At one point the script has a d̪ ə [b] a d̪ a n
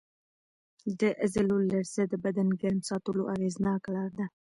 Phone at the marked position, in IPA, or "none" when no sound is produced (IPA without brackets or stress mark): b